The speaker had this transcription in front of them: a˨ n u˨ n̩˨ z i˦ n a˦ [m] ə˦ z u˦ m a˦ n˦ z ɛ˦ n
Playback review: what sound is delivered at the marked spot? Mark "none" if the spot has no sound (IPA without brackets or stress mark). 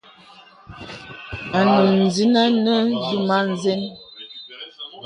n